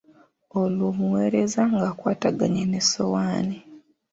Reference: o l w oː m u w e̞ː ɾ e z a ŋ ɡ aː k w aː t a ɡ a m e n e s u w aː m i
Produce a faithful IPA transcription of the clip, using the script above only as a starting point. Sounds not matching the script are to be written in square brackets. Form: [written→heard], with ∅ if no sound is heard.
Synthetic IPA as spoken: o l w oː m u w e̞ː ɾ e z a ŋ ɡ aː k w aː t a ɡ a [m→ɲ] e n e s [u→o] w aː [m→n] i

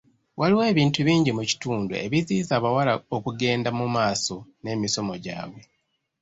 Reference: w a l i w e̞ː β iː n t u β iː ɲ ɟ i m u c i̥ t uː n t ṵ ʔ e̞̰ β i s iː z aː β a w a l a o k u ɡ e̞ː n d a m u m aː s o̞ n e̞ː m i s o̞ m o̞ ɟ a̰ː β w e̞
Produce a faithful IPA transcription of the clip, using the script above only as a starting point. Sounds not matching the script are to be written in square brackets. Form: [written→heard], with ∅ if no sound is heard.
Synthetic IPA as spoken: w a l i w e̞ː β iː n t u β iː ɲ ɟ i m u c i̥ t uː n [t→d] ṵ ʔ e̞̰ β i [s→z] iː z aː β a w a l a o k u ɡ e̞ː n d a m u m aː s o̞ n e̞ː m i s o̞ m o̞ ɟ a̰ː β w e̞

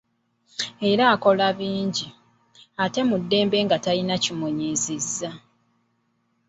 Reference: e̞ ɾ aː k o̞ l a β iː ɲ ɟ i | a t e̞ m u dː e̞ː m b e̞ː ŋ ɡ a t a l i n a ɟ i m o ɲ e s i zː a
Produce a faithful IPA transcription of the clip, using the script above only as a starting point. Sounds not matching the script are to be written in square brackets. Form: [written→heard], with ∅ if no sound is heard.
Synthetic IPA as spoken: e̞ ɾ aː k o̞ l a β iː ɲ ɟ i | a t e̞ m u dː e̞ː m b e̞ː ŋ ɡ a t a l i n a [ɟ→c] i m o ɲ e [s→z] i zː a

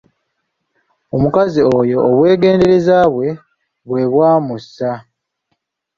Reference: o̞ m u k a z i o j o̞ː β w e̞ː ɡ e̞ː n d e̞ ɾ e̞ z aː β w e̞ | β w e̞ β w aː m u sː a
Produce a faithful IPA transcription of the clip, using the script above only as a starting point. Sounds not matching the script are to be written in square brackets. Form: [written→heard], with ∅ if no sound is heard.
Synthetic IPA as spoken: o̞ m u k a z i o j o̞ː β w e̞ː ɡ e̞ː n d e̞ ɾ e̞ z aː β w e̞ | β w e̞ β w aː m u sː a

